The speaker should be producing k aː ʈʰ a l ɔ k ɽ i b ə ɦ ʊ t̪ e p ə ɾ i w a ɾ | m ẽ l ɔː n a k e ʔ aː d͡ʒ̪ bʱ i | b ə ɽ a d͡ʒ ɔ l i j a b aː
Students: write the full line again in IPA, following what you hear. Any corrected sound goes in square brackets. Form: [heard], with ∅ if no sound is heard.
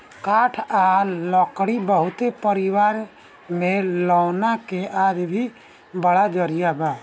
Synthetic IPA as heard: k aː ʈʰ a l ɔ k ɽ i b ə ɦ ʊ t̪ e p ə ɾ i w a ɾ | m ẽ l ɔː n a k e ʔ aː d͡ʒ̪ bʱ i | b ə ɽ a d͡ʒ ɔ [ɾ] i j a b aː